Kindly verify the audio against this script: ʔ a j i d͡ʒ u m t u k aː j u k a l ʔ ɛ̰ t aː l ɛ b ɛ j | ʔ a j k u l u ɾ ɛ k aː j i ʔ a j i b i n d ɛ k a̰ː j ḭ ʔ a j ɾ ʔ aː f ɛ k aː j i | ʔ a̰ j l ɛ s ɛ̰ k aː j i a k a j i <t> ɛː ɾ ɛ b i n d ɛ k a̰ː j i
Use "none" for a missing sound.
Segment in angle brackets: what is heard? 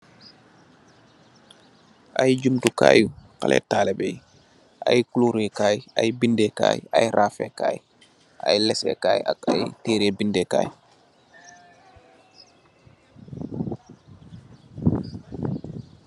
t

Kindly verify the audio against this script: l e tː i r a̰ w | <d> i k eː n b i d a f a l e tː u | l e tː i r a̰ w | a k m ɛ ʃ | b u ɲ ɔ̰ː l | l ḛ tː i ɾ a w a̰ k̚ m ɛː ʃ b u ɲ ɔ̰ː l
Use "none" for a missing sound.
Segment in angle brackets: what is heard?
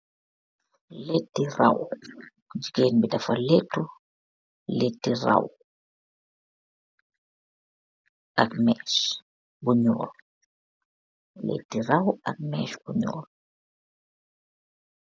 d͡ʒ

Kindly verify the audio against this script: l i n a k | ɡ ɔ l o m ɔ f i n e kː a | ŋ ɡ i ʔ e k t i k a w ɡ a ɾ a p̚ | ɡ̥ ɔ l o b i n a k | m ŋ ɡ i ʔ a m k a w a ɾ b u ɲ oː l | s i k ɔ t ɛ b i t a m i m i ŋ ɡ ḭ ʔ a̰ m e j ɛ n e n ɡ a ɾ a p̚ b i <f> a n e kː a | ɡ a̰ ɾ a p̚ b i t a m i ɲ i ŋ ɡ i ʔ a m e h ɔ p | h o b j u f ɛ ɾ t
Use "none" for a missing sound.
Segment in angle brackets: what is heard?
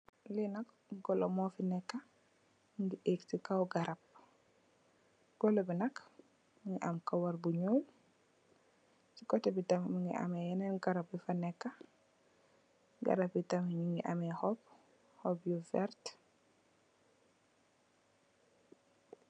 f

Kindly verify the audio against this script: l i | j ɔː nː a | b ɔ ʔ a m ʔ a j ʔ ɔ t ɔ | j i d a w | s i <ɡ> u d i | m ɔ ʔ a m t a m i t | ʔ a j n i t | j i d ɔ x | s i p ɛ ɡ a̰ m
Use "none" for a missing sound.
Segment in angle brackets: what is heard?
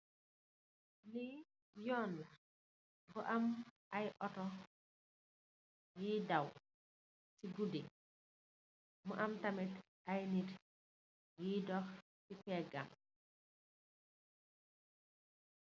ɡ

